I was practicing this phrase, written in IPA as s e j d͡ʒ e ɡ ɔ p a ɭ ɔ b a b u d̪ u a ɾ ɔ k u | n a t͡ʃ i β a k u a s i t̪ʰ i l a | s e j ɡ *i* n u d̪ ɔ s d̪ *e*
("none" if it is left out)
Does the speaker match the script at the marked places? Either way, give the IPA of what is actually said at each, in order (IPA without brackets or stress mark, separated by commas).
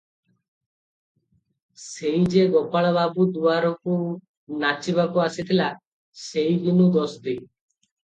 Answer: i, i